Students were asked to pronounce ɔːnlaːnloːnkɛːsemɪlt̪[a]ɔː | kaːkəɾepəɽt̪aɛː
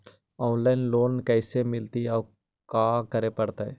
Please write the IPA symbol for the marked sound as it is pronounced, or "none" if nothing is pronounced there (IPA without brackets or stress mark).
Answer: i